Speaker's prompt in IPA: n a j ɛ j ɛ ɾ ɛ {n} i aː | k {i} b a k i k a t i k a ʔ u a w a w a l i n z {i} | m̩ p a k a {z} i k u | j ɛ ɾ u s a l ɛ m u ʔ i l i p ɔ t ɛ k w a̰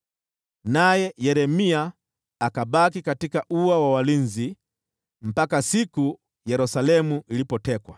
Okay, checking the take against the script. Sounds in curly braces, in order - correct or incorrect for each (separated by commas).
incorrect, incorrect, correct, incorrect